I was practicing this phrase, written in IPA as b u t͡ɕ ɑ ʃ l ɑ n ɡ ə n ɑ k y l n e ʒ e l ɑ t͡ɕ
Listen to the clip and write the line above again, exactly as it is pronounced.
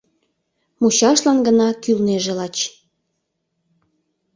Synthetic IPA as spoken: m u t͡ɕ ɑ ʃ l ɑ n ɡ ə n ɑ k y l n e ʒ e l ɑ t͡ɕ